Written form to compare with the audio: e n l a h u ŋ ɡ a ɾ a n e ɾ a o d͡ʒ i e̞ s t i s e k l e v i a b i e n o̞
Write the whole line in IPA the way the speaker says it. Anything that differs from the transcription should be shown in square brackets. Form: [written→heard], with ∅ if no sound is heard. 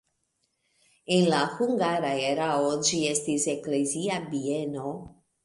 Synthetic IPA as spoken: e n l a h u ŋ ɡ a ɾ a [n→∅] e ɾ a o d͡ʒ i e̞ s t i s e k l e [v→z] i a b i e n o̞